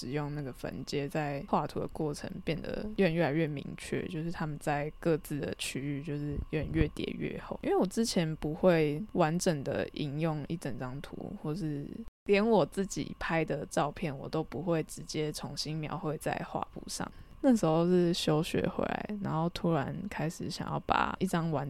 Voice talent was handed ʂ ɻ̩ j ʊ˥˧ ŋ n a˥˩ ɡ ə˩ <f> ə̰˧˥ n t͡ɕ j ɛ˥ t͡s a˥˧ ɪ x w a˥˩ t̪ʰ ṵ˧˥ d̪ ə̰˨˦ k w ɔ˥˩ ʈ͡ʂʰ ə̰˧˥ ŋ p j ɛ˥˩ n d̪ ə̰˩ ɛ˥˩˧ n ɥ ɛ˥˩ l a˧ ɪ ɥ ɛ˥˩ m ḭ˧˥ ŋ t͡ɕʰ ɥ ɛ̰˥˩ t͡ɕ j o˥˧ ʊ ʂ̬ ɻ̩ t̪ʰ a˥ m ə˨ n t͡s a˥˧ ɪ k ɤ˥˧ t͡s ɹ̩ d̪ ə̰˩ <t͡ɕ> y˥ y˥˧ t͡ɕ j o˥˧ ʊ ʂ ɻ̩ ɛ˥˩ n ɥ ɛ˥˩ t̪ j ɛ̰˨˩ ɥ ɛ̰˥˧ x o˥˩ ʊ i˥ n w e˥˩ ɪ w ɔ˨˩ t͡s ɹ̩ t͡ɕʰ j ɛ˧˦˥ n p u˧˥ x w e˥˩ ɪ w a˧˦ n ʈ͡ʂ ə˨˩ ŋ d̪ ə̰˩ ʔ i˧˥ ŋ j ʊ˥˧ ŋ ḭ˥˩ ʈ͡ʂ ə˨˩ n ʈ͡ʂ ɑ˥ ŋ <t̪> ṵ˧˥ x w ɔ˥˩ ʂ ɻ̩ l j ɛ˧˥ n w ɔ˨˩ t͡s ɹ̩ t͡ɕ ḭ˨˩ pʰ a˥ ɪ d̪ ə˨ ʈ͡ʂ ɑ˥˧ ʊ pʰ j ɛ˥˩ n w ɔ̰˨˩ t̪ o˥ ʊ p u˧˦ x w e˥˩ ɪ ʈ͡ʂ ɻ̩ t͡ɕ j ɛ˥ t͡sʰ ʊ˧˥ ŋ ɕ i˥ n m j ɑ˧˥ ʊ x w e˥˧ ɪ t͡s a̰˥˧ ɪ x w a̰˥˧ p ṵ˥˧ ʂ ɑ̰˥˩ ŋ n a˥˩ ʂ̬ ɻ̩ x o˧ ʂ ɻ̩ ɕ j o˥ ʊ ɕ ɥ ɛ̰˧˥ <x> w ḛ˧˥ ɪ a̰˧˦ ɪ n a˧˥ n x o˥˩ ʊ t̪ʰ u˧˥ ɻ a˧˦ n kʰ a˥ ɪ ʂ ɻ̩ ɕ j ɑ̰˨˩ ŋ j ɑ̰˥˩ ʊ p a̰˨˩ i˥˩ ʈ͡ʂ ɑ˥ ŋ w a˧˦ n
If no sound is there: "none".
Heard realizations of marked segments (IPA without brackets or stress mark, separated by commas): f, t͡ɕʰ, t̪ʰ, x